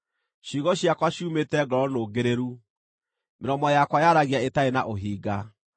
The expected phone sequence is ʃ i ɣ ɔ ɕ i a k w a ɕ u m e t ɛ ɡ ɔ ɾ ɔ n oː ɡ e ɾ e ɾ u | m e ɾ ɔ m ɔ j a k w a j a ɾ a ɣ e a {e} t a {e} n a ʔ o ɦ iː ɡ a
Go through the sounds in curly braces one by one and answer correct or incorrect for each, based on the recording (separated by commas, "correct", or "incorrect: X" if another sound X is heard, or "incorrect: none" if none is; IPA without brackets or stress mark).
correct, correct